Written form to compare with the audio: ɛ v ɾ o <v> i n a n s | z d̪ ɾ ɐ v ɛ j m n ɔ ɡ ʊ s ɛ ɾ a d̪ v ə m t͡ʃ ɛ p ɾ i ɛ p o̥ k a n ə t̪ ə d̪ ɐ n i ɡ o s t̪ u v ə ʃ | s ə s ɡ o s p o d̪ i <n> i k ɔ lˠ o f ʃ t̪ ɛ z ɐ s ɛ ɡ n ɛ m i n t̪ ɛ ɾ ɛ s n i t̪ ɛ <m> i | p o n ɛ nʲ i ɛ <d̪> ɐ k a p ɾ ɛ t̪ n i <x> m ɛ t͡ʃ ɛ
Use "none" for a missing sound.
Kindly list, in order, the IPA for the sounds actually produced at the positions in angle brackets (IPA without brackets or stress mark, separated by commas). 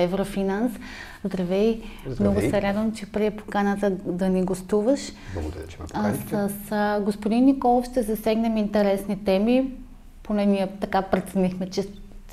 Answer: f, nː, m, t̪, x